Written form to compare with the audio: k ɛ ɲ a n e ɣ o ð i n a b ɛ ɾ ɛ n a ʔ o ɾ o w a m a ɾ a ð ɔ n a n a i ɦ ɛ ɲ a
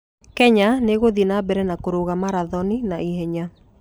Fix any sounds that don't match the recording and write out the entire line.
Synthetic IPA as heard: k ɛ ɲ a n e ɣ o ð i n a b ɛ ɾ ɛ n a k o ɾ o ɣ a m a ɾ a ð ɔ n i n a i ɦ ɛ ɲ a